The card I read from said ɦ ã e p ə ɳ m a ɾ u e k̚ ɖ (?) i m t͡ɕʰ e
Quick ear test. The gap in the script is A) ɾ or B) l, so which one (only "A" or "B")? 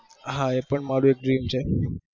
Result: A